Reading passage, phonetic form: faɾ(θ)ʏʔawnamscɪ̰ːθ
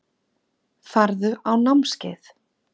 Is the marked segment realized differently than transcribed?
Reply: yes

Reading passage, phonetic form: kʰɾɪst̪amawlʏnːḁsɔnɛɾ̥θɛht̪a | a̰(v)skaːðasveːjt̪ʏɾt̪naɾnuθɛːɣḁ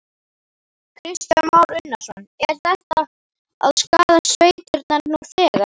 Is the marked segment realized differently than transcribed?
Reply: yes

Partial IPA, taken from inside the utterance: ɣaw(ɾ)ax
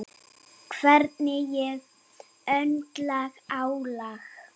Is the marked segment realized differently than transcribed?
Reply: yes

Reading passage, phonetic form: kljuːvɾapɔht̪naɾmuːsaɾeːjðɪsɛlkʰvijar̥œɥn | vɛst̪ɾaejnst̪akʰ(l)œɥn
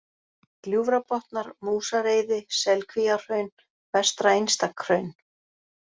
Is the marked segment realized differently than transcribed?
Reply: yes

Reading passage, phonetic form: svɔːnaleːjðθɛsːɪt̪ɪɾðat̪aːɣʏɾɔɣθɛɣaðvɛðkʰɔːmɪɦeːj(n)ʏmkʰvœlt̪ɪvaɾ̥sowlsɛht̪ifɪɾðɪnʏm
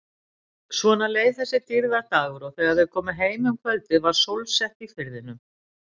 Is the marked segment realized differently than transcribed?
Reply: yes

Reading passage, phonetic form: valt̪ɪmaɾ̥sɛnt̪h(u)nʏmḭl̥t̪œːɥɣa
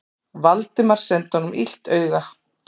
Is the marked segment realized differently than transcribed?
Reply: yes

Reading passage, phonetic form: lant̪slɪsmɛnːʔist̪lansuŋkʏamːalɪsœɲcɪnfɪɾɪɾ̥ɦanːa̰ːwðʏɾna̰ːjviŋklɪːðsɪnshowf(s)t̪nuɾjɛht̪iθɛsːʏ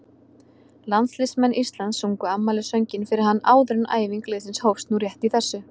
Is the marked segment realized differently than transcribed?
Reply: no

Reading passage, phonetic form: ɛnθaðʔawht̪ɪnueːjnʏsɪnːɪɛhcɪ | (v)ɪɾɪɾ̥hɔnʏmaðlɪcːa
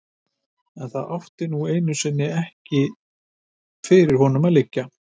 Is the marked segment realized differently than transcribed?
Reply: yes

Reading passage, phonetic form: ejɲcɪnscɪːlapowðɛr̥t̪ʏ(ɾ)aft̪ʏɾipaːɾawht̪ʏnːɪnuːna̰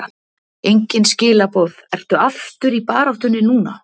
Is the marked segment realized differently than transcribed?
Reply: yes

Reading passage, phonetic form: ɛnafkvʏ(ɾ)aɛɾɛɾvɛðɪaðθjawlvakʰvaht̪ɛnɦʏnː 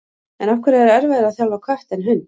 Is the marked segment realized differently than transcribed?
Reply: no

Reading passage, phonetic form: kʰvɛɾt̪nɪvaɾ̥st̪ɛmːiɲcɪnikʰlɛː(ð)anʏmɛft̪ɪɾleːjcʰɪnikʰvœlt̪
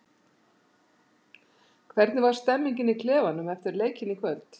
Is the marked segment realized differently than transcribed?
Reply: yes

